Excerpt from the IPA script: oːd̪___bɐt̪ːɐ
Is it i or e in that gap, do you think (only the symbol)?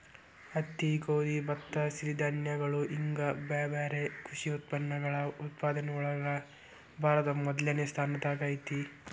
i